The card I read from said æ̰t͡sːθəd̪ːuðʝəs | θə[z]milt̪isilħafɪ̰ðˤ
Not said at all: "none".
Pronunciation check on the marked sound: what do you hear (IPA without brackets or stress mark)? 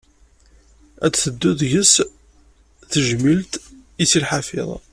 ʒ